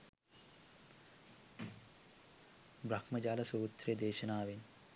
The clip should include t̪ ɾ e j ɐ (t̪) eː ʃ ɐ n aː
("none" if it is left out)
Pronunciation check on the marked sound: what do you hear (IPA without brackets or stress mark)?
d̪